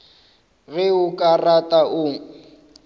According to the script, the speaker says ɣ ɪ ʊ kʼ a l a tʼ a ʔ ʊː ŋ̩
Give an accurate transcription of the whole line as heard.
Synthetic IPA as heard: ɣ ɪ ʊ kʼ a r a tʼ a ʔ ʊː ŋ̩